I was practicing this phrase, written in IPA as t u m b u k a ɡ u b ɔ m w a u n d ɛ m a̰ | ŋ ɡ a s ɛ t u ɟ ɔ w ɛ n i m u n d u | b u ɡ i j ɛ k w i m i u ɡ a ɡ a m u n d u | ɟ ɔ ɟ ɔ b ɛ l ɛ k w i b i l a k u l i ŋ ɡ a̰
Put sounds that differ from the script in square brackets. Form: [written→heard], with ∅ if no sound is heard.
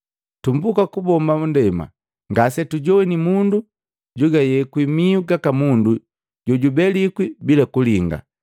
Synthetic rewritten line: t u m b u k a [ɡ→k] u b ɔ m [w→b] a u n d ɛ m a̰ | ŋ ɡ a s ɛ t u ɟ ɔ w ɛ n i m u n d u | [b→ɟ] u ɡ [i→a] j ɛ k w i m i u ɡ a [ɡ→k] a m u n d u | ɟ ɔ ɟ [ɔ→u] b ɛ l [ɛ→i] k w i b i l a k u l i ŋ ɡ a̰